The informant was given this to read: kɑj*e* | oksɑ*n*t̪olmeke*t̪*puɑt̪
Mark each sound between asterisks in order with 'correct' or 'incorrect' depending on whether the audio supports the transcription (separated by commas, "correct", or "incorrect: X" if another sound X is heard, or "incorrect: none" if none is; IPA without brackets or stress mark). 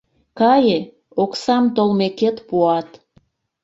correct, incorrect: m, correct